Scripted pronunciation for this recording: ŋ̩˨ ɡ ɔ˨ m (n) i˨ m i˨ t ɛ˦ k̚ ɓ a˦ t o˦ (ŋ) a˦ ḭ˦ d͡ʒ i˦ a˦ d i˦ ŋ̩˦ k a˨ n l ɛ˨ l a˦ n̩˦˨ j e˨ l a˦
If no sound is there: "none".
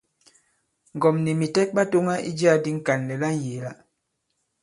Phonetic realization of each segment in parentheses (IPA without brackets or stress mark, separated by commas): n, ŋ